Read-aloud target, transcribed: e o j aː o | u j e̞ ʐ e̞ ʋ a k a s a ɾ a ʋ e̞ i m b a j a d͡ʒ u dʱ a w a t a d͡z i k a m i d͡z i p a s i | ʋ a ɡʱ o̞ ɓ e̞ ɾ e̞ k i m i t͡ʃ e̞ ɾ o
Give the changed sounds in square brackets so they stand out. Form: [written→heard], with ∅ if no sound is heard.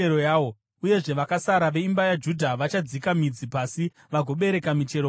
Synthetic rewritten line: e o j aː o | u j e̞ ʐ e̞ ʋ a k a s a ɾ a ʋ e̞ i m b a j a d͡ʒ u dʱ a [w→ʋ] a [t→t͡ʃ] a d͡z i k a m i d͡z i p a s i | ʋ a ɡʱ o̞ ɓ e̞ ɾ e̞ k [i→a] m i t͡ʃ e̞ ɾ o